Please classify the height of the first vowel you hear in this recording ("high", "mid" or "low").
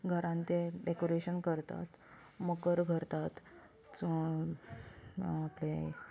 mid